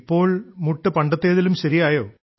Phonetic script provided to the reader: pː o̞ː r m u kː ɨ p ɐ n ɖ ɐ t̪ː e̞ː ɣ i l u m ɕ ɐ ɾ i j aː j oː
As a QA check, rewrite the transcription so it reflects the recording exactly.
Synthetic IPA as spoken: pː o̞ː ɭ m u ʈː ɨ p ɐ ɳ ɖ ɐ t̪ː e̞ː ð i l u m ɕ ɐ ɾ i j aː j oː